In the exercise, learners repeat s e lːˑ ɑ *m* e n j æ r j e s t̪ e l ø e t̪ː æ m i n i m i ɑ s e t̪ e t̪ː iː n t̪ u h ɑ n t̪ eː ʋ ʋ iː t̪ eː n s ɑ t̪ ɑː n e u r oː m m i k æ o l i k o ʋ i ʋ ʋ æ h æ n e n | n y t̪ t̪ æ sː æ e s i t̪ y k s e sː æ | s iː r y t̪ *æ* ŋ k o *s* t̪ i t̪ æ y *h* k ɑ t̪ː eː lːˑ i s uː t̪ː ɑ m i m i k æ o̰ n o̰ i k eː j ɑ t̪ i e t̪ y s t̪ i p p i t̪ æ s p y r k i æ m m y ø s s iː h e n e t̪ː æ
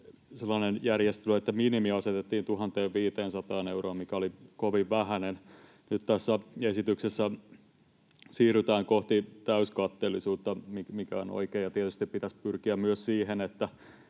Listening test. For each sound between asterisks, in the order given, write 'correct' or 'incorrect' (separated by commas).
incorrect, incorrect, incorrect, incorrect